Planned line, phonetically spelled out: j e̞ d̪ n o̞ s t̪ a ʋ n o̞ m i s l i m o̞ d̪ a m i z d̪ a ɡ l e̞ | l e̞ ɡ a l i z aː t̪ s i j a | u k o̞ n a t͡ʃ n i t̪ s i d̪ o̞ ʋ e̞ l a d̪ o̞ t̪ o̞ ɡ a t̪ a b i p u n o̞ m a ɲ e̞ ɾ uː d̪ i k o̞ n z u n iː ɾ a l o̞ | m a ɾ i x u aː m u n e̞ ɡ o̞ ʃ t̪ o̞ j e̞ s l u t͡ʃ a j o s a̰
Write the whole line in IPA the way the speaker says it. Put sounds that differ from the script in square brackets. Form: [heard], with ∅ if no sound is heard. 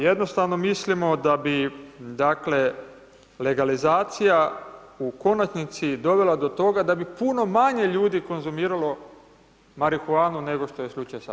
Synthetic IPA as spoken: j e̞ d̪ n o̞ s t̪ a ʋ n o̞ m i s l i m o̞ d̪ a [b] i [∅] d̪ a [k] l e̞ | l e̞ ɡ a l i z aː t̪ s i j a | u k o̞ n a t͡ʃ n i t̪ s i d̪ o̞ ʋ e̞ l a d̪ o̞ t̪ o̞ ɡ a [d̪] a b i p u n o̞ m a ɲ e̞ [ʎ] uː d̪ i k o̞ n z u [m] iː ɾ a l o̞ | m a ɾ i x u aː [n] u n e̞ ɡ o̞ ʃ t̪ o̞ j e̞ s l u t͡ʃ a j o s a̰